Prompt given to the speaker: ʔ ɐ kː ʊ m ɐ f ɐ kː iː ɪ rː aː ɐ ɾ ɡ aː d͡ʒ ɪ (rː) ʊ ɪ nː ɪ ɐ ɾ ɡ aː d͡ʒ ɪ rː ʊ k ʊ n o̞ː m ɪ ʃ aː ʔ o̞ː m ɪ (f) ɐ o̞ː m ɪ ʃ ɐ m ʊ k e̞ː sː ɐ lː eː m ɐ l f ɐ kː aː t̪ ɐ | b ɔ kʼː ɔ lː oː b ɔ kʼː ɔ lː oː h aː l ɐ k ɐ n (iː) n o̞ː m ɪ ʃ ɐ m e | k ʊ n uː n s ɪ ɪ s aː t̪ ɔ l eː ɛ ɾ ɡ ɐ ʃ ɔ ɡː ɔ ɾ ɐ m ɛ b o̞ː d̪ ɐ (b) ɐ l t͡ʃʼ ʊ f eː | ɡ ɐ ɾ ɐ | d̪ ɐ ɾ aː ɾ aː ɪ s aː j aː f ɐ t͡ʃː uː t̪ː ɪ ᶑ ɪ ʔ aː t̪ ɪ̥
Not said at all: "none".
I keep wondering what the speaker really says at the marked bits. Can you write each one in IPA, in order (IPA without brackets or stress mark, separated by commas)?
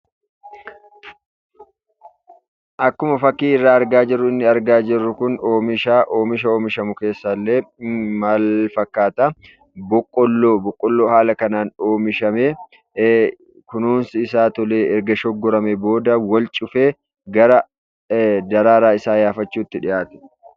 rː, ʃ, aː, w